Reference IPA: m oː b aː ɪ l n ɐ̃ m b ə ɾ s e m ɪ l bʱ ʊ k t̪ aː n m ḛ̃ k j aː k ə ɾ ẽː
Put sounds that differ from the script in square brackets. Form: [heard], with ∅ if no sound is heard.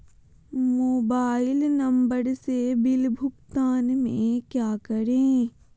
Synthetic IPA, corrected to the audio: m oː b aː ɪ l n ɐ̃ m b ə ɾ s e [b] ɪ l bʱ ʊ k t̪ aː n m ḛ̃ k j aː k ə ɾ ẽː